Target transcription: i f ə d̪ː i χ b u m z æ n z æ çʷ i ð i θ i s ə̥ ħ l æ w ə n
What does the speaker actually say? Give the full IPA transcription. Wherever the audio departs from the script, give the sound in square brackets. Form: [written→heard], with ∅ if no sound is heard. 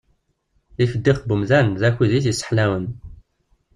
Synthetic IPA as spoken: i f ə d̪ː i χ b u m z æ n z æ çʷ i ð i θ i s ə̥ ħ l æ w ə n